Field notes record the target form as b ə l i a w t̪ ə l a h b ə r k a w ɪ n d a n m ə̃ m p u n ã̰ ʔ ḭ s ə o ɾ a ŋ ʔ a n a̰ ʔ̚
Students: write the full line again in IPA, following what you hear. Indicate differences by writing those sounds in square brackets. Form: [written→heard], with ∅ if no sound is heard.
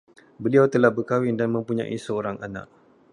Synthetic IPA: b ə l i a w t̪ ə l a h b ə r k a w ɪ n d a n m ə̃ m p u [n→ɲ] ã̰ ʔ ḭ s ə o ɾ a ŋ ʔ a n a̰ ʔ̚